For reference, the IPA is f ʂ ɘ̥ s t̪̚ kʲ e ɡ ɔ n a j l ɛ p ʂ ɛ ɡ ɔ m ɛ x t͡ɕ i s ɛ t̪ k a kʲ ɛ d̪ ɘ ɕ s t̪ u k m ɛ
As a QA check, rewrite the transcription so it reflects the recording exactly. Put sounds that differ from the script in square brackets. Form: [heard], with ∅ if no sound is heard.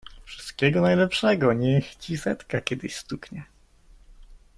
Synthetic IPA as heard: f ʂ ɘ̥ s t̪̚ kʲ [ɛ] ɡ ɔ n a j l ɛ p ʂ ɛ ɡ ɔ [ɲ] ɛ x t͡ɕ i s ɛ t̪ k a kʲ ɛ d̪ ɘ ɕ s t̪ u k [ɲ] ɛ